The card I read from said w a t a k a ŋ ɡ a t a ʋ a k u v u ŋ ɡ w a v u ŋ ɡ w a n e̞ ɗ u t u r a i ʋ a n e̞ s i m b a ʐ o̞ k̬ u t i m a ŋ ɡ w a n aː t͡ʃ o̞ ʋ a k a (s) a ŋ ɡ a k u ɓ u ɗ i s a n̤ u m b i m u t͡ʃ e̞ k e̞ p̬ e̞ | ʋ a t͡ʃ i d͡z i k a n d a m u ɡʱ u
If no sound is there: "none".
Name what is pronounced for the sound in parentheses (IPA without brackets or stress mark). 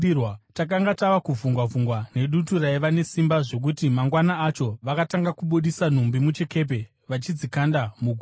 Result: t